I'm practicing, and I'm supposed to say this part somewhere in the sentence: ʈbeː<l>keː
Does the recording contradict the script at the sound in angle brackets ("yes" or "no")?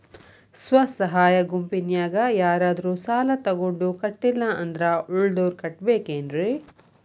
yes